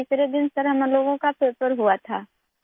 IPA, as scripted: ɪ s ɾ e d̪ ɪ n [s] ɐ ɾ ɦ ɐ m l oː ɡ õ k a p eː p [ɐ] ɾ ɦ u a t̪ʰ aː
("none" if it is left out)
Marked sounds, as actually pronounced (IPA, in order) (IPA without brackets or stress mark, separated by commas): s, ə